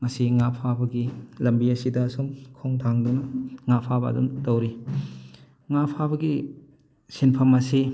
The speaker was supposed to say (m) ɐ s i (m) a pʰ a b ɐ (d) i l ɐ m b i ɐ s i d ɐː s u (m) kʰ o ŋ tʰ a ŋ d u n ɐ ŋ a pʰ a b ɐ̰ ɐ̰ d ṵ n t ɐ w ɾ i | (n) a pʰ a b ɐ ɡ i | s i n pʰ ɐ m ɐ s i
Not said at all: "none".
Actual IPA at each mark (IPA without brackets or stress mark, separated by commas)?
ŋ, ŋ, ɡ, m, ŋ